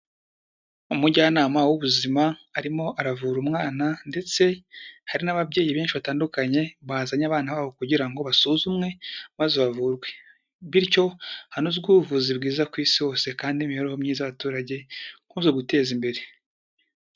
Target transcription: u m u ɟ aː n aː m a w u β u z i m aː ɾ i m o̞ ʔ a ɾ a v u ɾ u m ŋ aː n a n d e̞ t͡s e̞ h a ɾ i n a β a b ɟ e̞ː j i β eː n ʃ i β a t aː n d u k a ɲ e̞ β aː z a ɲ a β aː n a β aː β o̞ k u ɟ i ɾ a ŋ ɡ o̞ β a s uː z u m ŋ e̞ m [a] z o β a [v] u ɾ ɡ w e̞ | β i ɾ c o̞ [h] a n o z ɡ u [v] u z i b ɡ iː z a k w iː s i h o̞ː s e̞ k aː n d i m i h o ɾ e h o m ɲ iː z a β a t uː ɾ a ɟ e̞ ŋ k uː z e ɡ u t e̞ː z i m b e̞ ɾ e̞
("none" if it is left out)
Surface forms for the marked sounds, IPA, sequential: a, v, h, v

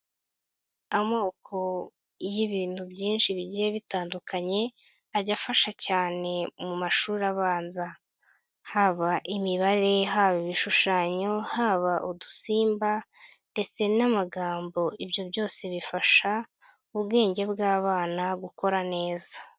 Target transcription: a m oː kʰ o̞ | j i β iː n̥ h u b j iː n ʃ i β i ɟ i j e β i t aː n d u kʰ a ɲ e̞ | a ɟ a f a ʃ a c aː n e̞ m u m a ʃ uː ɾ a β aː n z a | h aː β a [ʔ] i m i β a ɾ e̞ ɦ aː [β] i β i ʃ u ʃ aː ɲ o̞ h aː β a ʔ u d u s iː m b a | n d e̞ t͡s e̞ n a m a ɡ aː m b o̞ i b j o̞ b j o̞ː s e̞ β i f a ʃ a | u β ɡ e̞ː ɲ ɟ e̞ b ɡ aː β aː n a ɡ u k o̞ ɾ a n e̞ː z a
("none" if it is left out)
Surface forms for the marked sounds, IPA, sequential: ʔ, β

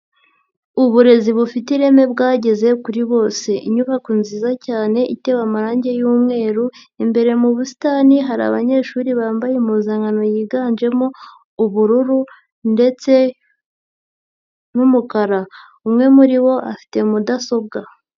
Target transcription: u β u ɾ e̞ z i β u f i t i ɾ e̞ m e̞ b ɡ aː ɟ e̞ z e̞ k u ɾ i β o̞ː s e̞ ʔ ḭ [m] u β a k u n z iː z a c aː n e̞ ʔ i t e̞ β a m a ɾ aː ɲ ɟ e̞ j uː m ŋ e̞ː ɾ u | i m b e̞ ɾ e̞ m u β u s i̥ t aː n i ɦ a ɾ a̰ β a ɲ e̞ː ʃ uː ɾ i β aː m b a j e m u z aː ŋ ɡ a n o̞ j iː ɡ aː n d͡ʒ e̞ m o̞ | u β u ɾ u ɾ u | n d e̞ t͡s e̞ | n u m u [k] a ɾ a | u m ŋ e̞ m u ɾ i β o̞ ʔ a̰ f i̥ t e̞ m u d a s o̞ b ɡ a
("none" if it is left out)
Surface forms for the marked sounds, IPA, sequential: ɲ, k

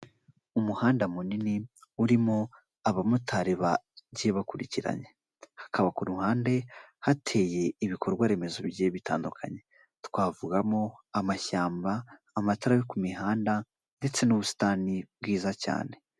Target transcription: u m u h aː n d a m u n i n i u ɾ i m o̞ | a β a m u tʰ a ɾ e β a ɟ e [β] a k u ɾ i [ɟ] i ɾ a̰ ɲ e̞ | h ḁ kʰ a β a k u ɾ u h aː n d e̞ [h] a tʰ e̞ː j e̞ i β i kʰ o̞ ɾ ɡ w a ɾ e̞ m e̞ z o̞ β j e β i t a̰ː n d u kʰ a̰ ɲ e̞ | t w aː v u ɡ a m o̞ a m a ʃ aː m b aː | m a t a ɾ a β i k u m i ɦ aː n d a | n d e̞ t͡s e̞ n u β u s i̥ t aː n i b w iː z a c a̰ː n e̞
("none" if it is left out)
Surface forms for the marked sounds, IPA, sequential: β, c, h

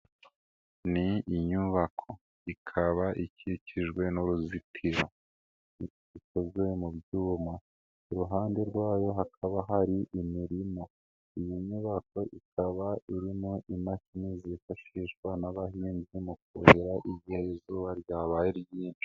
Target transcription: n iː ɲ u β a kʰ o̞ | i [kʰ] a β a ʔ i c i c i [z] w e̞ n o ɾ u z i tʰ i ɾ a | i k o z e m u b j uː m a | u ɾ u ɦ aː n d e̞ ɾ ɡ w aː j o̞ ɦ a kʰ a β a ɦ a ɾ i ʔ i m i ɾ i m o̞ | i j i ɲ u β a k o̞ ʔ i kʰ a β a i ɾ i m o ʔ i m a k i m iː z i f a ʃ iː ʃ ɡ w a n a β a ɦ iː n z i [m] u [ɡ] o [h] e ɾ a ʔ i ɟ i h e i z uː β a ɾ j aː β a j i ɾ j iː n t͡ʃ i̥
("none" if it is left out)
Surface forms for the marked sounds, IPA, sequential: kʰ, ʒ, m, k, h

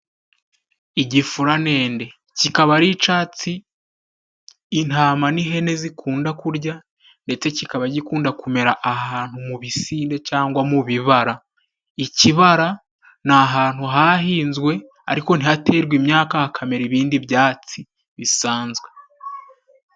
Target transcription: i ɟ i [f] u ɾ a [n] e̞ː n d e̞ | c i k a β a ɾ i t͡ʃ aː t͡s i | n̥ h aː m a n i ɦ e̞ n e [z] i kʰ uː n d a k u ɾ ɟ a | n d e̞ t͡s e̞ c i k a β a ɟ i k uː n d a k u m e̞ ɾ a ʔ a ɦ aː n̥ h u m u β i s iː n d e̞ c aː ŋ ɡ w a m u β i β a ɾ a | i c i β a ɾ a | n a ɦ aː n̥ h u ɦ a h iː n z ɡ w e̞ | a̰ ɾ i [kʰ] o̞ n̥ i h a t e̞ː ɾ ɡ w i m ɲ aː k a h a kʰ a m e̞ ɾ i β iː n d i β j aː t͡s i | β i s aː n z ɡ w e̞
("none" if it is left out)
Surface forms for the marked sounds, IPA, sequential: f, n, z, k

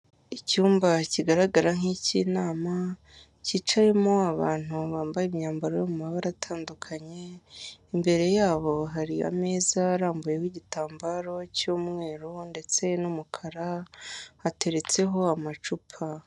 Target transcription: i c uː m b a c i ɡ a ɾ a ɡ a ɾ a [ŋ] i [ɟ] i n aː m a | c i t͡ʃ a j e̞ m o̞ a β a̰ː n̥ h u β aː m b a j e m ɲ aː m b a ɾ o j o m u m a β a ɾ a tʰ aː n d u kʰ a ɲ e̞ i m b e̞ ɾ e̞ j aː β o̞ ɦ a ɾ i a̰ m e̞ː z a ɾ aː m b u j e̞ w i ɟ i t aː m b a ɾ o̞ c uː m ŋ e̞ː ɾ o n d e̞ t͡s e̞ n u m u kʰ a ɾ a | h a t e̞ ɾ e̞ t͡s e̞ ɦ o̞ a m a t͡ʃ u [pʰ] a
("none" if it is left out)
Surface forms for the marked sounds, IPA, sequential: ŋ, c, pʰ

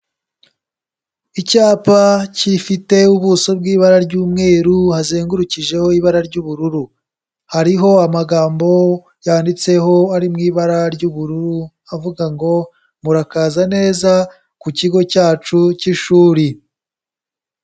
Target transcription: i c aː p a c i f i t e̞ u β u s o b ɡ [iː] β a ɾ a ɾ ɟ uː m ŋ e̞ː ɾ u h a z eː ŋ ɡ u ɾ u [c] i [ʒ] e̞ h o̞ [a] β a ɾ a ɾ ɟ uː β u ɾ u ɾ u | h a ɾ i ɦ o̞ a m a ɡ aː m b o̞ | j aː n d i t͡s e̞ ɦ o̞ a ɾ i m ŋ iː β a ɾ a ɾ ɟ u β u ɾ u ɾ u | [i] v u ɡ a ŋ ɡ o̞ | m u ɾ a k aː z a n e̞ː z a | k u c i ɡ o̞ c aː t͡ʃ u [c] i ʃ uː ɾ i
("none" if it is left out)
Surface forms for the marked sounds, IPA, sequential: iː, c, ʒ, i, a, c

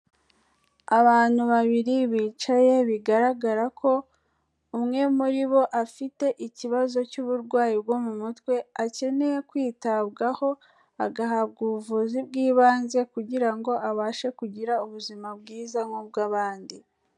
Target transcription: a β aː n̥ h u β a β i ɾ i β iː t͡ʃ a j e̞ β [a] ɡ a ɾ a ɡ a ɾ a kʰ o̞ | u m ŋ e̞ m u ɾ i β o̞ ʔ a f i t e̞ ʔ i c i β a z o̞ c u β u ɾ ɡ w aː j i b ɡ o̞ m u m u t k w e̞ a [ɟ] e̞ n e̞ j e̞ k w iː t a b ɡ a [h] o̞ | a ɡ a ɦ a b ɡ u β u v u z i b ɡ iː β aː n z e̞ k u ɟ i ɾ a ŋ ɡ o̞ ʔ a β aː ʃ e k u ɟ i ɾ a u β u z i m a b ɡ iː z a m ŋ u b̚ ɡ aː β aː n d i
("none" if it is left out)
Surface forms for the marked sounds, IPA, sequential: i, c, h

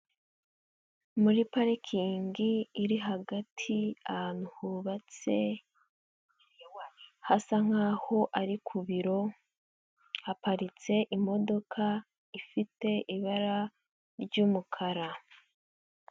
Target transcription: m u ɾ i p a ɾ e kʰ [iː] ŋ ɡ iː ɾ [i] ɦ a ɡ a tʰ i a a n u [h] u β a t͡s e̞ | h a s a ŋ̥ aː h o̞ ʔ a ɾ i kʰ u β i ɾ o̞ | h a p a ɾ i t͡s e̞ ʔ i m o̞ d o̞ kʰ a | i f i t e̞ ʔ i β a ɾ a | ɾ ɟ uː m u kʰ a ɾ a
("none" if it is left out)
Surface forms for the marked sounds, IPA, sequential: iː, i, h

